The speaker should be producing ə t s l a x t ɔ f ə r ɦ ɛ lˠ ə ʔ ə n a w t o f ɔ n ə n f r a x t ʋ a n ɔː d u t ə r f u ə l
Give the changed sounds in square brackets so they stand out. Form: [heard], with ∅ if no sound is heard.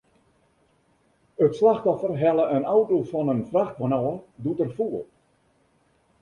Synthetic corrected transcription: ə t s l a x t ɔ f ə r ɦ ɛ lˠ ə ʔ ə n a w t o f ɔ n ə n f r a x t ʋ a n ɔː d u t ə r f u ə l

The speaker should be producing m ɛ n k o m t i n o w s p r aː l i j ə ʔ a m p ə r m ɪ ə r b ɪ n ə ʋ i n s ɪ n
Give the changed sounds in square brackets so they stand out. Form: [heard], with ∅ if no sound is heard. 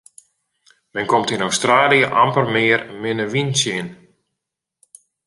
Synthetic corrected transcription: m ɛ n k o m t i n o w s [t] r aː l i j ə ʔ a m p ə r m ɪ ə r [m] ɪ n ə ʋ i n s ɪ n

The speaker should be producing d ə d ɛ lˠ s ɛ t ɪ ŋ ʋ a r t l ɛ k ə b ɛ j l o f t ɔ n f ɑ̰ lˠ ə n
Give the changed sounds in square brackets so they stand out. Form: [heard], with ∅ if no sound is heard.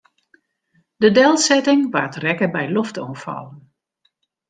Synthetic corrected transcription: d ə d ɛ lˠ s ɛ t ɪ ŋ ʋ a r t [r] ɛ k ə b ɛ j l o f t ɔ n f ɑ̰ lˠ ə n

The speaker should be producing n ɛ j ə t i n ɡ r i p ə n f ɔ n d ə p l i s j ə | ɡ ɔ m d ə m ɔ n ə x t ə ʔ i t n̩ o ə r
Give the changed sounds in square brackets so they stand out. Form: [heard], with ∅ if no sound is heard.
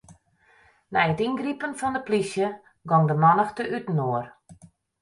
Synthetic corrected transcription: n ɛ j ə t i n ɡ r i p ə n f ɔ n d ə p l i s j ə | ɡ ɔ [ŋ] d ə m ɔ n ə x t ə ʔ [y] t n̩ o ə r

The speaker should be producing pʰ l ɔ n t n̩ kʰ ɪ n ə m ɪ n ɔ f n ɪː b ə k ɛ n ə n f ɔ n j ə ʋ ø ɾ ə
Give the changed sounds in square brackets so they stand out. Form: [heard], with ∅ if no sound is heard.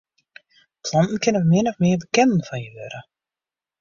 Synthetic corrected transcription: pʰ l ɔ n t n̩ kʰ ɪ n ə m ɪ n ɔ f [m] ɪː b ə k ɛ n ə n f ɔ n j ə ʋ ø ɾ ə

